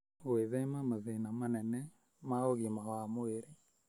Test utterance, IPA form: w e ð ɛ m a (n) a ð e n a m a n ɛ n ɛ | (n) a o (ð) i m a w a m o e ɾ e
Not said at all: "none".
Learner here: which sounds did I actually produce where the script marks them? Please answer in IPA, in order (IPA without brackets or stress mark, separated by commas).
m, m, ɣ